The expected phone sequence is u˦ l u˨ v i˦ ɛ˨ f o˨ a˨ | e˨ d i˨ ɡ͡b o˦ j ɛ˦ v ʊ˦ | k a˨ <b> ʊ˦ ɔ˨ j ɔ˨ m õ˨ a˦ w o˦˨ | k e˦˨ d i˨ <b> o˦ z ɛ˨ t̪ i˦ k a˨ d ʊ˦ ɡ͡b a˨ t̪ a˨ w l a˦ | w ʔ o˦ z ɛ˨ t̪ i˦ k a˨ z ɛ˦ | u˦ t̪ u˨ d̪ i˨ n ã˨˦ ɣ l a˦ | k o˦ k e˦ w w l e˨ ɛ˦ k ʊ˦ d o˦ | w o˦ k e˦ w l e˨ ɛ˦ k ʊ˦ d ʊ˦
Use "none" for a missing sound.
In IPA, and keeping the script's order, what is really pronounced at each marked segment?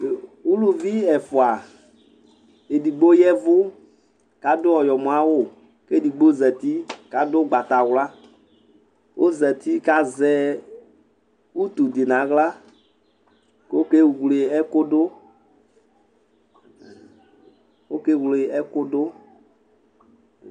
d, ɡ͡b

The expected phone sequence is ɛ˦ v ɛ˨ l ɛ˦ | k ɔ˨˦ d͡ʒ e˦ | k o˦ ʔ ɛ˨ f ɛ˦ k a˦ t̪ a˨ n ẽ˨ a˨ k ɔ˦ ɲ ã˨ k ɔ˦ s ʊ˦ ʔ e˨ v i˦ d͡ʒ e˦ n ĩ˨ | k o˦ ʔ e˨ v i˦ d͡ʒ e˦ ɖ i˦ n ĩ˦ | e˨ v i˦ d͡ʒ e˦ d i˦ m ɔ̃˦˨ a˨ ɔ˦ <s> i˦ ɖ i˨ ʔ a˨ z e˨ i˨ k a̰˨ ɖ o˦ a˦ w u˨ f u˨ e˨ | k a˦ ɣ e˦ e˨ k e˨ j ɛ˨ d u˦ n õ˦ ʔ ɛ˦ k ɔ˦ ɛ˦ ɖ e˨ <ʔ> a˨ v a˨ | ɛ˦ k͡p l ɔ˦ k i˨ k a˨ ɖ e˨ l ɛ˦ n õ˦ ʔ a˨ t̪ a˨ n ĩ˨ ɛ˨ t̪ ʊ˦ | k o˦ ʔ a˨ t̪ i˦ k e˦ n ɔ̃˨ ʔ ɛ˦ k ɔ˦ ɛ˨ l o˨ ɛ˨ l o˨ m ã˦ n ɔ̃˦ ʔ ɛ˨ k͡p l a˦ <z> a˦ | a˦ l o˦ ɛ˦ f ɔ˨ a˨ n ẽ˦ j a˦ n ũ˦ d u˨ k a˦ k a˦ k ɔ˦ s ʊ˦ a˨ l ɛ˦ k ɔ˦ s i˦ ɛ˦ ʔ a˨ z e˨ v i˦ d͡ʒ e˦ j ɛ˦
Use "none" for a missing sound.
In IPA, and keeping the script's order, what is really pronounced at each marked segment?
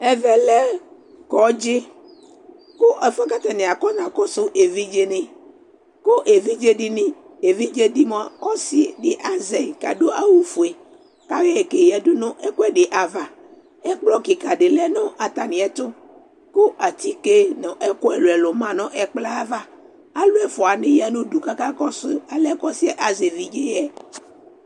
s, ʔ, v

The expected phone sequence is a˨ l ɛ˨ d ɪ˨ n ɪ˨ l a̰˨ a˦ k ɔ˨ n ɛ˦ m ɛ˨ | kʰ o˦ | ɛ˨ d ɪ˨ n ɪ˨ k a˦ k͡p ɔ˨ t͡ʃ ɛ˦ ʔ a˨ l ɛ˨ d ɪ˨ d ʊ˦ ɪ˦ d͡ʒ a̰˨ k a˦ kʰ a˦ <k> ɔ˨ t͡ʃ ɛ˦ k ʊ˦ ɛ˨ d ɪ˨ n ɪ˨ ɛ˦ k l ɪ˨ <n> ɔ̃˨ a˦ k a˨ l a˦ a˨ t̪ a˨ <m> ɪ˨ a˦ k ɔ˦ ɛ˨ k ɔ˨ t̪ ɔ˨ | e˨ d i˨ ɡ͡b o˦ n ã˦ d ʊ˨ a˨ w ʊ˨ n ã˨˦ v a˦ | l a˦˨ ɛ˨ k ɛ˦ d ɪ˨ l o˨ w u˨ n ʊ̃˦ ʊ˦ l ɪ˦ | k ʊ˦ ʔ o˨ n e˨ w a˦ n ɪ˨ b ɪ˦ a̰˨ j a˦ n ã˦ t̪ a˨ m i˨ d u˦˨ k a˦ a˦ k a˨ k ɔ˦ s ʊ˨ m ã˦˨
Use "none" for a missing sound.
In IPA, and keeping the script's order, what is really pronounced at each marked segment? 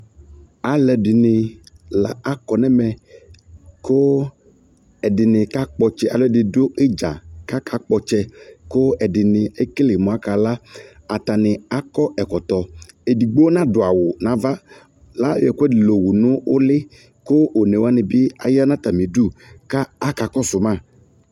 k͡p, m, n

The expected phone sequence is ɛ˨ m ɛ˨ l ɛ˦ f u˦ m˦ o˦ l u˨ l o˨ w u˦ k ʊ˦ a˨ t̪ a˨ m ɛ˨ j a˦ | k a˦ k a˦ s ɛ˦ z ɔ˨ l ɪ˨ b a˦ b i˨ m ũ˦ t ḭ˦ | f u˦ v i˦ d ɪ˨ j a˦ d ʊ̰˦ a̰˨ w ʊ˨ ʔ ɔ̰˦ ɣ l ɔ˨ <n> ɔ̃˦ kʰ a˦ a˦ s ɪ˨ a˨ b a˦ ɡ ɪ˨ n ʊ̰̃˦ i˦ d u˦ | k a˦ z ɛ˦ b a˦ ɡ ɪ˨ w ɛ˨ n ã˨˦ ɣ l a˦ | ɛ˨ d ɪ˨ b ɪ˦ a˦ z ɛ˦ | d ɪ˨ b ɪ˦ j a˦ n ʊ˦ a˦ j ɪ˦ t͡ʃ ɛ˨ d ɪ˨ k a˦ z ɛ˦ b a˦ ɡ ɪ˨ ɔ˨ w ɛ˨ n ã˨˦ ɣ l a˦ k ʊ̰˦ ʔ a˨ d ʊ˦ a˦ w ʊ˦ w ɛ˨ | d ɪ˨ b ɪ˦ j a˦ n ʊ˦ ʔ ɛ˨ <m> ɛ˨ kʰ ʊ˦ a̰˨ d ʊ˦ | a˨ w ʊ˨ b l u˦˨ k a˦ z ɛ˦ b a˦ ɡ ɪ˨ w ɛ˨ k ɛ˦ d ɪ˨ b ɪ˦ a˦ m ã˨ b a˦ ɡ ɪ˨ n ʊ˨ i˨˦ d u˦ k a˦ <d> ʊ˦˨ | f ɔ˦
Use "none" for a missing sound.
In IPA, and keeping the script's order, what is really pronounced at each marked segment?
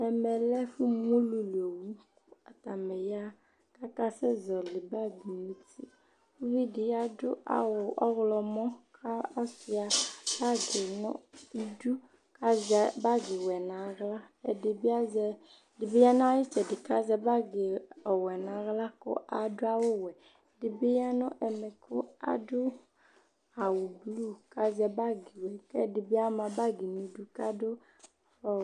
m, m, d

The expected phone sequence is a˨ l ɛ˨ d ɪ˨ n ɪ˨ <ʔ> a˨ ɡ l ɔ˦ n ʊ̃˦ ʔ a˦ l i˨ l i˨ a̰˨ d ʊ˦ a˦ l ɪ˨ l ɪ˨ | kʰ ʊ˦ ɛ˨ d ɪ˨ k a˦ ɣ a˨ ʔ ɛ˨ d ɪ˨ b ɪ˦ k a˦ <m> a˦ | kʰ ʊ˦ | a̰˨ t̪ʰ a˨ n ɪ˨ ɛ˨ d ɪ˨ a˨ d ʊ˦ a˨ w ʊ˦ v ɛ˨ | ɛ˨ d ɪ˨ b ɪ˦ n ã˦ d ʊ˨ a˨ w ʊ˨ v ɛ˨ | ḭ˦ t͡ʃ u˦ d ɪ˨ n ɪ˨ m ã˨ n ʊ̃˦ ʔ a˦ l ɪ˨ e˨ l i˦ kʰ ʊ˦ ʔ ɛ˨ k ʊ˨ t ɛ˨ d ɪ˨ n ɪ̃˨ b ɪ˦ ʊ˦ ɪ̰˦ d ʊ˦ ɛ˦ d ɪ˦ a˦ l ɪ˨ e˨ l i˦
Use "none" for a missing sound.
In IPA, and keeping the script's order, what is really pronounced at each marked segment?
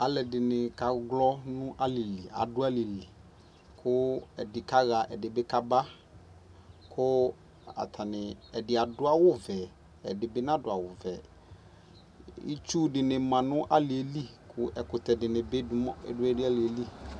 k, b

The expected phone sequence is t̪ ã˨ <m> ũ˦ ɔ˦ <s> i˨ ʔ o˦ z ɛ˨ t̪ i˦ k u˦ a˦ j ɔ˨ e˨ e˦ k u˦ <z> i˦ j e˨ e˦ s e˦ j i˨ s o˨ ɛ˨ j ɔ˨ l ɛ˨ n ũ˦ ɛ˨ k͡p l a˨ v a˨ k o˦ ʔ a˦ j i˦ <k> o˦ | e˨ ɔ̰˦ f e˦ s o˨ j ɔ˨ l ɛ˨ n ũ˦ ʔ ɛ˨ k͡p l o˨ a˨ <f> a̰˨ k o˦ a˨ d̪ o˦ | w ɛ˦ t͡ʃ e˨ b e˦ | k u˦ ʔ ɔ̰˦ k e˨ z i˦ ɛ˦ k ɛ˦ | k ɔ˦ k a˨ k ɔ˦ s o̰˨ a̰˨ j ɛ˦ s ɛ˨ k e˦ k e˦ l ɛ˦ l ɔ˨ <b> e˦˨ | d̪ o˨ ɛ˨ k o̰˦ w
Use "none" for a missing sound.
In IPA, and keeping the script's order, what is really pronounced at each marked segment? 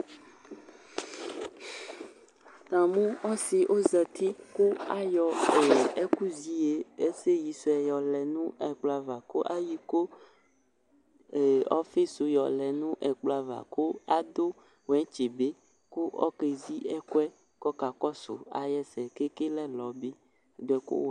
m, s, z, k, v, b

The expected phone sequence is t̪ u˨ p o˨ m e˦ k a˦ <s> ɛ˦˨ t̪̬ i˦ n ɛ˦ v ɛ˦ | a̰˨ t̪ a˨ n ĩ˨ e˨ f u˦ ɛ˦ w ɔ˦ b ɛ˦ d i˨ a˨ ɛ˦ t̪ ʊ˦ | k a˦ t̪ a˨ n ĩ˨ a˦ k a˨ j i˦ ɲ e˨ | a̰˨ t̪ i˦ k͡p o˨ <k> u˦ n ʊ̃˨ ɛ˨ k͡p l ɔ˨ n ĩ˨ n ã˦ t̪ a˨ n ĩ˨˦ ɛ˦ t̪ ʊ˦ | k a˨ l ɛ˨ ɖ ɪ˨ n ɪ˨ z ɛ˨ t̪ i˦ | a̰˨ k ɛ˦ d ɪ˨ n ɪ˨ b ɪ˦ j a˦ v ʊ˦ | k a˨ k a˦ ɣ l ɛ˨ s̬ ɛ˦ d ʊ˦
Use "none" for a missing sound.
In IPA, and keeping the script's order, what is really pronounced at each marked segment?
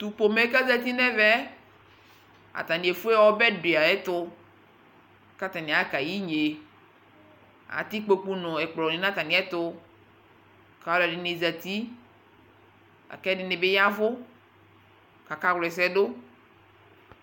z, k͡p

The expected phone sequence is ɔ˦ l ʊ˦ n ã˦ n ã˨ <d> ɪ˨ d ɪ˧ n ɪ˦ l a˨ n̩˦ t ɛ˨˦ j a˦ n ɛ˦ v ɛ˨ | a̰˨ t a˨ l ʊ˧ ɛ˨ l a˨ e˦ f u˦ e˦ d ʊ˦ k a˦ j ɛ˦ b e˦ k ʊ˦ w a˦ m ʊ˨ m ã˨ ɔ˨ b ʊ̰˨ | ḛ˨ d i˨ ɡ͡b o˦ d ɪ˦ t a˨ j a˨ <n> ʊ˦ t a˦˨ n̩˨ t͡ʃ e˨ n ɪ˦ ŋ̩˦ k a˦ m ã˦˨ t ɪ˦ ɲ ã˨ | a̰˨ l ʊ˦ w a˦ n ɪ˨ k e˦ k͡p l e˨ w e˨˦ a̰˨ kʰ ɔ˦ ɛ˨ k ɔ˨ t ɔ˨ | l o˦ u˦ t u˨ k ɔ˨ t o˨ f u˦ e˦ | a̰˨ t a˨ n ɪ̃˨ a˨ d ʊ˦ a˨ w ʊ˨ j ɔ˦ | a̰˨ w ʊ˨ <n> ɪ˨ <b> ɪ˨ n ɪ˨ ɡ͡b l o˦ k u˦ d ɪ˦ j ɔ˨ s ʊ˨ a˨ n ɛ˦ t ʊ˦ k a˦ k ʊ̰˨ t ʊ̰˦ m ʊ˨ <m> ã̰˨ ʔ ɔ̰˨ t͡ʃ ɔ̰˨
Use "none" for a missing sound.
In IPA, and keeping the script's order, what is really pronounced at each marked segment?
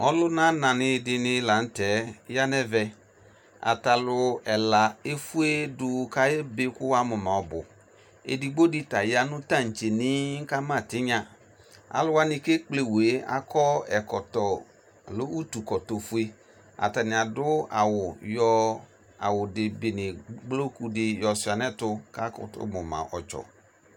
n, n, d, b, m

